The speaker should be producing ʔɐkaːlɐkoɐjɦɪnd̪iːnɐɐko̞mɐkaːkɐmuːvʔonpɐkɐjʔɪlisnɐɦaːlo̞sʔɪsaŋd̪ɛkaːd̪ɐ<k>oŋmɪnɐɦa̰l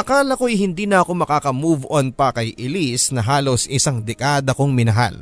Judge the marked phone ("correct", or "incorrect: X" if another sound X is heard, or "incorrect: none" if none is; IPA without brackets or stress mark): correct